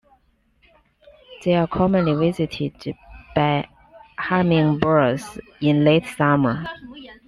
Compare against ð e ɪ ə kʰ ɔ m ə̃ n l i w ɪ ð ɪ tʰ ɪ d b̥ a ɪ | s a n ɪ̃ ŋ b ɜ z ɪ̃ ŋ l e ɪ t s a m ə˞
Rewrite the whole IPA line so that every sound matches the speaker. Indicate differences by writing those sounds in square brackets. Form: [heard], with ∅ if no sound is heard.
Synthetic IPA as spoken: ð e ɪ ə kʰ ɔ m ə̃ n l i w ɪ [z] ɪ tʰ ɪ d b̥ a ɪ | [h] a [m] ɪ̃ ŋ b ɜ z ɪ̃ [n] l e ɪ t s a m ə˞